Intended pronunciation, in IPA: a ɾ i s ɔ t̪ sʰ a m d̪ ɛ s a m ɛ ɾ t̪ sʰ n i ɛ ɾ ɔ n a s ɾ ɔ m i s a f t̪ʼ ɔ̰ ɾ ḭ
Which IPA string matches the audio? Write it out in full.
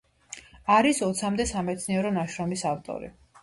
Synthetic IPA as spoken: a ɾ i s ɔ t̪ sʰ a m d̪ ɛ s a m ɛ t̪ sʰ n i ɛ ɾ ɔ n a ʃ ɾ ɔ m i s a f t̪ʼ ɔ̰ ɾ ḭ